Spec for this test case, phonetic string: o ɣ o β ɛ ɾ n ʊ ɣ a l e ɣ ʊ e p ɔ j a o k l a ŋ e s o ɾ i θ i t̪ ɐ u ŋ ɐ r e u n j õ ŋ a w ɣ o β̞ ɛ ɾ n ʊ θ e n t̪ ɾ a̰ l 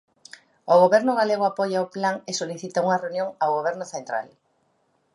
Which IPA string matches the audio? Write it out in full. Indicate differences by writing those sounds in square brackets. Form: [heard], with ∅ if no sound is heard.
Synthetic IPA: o ɣ o β ɛ ɾ n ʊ ɣ a l e ɣ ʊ [a] p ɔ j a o [p] l a ŋ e s o [l] i θ i t̪ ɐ u ŋ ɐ r e u n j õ ŋ a w ɣ o β̞ ɛ ɾ n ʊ θ e n t̪ ɾ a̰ l